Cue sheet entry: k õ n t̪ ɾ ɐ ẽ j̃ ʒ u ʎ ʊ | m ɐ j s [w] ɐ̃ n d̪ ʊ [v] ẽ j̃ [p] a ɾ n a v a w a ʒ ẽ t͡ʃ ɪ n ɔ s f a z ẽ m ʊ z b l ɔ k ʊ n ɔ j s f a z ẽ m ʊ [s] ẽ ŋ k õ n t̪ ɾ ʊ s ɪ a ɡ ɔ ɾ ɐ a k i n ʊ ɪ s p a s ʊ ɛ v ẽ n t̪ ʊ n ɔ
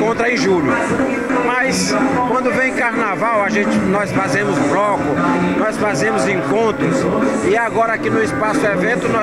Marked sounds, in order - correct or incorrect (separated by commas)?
correct, correct, incorrect, incorrect